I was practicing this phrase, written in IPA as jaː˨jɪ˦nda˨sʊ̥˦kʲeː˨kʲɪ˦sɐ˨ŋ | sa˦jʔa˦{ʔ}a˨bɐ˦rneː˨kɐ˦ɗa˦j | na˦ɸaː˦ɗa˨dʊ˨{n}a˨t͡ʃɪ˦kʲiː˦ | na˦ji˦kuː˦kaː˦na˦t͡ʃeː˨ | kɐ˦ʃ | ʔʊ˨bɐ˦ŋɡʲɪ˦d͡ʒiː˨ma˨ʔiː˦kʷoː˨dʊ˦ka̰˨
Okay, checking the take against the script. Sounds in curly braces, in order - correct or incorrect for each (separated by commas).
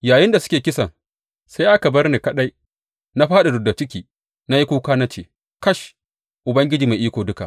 incorrect, incorrect